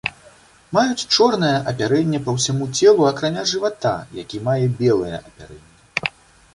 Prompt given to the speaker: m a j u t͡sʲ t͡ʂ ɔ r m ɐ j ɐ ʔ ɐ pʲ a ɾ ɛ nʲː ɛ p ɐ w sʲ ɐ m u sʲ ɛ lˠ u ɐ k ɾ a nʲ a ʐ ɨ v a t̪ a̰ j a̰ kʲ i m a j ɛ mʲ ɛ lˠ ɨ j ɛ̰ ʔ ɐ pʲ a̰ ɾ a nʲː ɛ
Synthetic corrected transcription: m a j u t͡sʲ t͡ʂ ɔ r n ɐ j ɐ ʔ ɐ pʲ a ɾ ɛ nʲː ɛ p ɐ w sʲ a m u t͡sʲ ɛ lˠ u ɐ k ɾ a nʲ a ʐ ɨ v a t̪ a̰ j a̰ kʲ i m a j ɛ bʲ ɛ lˠ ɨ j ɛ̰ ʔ ɐ pʲ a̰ ɾ ɛ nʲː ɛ